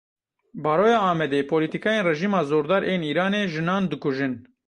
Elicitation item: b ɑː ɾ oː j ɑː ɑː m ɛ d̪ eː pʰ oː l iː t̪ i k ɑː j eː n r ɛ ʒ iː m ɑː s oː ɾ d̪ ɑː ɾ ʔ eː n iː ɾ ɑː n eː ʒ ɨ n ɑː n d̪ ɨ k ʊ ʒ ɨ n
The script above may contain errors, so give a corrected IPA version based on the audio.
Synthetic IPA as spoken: b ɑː ɾ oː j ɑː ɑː m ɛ d̪ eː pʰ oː l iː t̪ i k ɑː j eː n r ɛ ʒ iː m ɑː z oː ɾ d̪ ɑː ɾ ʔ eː n iː ɾ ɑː n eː ʒ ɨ n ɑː n d̪ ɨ k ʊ ʒ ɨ n